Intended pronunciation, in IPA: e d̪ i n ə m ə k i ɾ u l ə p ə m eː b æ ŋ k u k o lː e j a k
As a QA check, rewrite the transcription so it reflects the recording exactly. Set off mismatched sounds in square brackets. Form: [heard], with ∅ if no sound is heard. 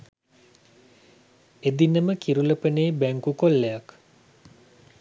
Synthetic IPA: e d̪ i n ə m ə k i ɾ u l ə p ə [n] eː b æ ŋ k u k o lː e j a k